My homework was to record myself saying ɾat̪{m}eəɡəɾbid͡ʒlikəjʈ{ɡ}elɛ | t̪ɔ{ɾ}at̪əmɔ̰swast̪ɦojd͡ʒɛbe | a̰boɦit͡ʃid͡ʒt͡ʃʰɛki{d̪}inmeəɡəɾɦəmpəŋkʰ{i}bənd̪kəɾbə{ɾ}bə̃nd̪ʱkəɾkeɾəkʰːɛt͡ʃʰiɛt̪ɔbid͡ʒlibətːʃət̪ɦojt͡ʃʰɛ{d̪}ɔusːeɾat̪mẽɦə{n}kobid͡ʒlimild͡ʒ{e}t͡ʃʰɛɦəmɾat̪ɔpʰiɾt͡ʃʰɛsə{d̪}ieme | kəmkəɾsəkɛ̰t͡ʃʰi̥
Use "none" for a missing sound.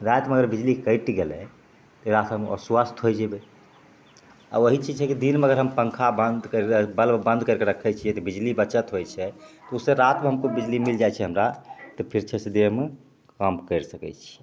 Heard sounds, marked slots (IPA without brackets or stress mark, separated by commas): m, ɡ, ɾ, d̪, a, l, t̪, m, a, d̪